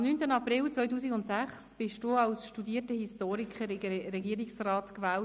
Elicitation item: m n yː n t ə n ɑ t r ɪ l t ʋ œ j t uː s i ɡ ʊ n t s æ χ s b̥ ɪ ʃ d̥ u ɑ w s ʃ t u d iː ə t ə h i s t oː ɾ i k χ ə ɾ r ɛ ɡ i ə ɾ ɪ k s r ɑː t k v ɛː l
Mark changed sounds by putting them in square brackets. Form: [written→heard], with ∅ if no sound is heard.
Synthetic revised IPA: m n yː n t ə n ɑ [t→p] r ɪ l [t→t͡s] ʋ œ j t uː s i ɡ ʊ n t s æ χ s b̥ ɪ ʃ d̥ u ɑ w s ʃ t u d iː ə t ə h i s t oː ɾ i k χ ə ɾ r ɛ ɡ i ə ɾ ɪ k s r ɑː t k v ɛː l